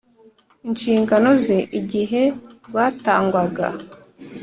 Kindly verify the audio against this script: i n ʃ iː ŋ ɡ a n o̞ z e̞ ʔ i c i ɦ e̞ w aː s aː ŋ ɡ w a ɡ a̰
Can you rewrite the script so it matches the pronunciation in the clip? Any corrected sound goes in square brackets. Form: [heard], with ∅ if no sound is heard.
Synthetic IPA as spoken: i n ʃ iː ŋ ɡ a n o̞ z e̞ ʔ i [ɟ] i ɦ e̞ w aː [t] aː ŋ ɡ w a ɡ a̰